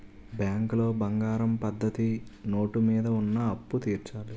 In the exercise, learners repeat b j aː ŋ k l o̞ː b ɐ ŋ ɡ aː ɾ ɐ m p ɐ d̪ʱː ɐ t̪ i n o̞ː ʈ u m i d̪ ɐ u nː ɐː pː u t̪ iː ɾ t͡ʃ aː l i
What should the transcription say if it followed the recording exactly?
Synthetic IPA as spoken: b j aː ŋ k l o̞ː b ɐ ŋ ɡ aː ɾ ɐ m p ɐ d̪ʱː ɐ t̪ i n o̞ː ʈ u m iː d̪ ɐ u nː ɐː pː u t̪ iː ɾ t͡ʃ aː l i